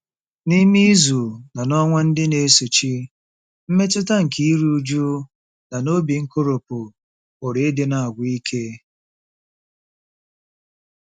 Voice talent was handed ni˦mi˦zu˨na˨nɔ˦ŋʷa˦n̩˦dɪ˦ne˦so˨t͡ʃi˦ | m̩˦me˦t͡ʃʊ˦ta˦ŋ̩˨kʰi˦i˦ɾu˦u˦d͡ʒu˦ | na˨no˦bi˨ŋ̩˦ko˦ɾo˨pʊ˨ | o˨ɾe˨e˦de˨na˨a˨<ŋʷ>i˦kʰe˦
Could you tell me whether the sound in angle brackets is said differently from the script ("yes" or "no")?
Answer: yes